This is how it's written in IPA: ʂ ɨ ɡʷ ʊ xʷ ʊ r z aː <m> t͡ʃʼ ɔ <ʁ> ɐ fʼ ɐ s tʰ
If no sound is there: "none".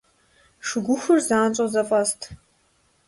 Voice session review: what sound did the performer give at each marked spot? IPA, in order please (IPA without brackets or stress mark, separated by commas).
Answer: n, z